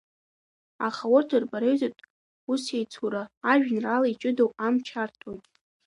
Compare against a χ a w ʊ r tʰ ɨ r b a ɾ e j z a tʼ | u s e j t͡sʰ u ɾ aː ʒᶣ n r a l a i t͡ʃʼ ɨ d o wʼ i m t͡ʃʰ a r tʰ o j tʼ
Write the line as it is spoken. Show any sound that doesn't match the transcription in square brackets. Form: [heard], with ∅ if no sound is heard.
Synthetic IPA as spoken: a χ a w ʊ r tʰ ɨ r b a ɾ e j z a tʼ | u s e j t͡sʰ u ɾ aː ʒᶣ n r a l a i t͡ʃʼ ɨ d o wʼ [a] m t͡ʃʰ a r tʰ o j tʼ